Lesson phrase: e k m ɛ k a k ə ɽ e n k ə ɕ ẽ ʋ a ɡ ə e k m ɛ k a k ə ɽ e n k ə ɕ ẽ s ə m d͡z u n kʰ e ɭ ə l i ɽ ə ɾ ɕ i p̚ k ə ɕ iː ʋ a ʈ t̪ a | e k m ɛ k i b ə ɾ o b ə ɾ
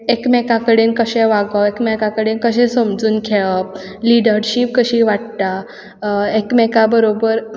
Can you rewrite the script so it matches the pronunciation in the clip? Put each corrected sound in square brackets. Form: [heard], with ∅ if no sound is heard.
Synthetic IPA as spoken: e k m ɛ k a k ə ɽ e n k ə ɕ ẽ ʋ a ɡ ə e k m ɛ k a k ə ɽ e n k ə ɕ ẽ s ə m d͡z [uː] n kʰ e ɭ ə l i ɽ ə ɾ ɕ i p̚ k ə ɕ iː ʋ a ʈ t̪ a | e k m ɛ k [a] b ə ɾ o b ə ɾ